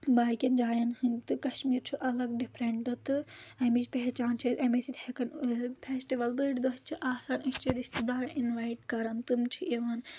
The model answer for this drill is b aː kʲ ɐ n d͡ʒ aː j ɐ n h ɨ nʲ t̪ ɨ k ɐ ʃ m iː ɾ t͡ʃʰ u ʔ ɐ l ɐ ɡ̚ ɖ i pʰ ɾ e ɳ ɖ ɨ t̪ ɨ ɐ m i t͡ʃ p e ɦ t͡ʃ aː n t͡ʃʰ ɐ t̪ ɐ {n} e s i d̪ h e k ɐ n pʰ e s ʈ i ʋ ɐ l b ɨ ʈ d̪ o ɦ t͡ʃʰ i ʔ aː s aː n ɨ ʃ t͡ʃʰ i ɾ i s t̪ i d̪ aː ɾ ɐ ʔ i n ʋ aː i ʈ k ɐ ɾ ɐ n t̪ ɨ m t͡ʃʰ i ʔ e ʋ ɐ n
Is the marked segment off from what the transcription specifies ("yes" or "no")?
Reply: yes